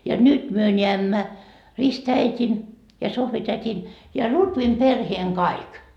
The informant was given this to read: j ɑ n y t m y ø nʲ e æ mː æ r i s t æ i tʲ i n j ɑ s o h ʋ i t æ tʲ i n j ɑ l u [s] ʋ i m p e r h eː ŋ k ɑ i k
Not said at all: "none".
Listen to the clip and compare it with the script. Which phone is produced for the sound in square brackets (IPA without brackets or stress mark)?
t